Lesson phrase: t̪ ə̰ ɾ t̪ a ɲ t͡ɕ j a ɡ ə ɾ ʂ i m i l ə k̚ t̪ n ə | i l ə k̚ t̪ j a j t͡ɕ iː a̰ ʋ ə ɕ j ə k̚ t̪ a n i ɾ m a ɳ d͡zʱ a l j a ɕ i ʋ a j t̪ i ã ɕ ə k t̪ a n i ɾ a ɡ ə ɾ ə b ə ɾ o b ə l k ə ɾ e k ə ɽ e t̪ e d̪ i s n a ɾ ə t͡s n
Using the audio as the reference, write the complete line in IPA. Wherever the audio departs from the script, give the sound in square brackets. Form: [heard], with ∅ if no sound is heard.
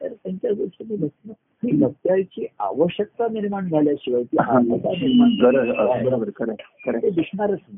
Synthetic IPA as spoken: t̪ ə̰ ɾ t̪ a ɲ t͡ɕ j a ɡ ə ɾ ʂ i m i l ə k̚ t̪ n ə | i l ə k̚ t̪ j a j t͡ɕ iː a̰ ʋ ə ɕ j ə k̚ t̪ a n i ɾ m a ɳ d͡zʱ a l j a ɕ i ʋ a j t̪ i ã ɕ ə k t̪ a n i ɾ a ɡ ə ɾ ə b ə ɾ o b ə [ɾ] k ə ɾ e k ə [ɾ] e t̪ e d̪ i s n a ɾ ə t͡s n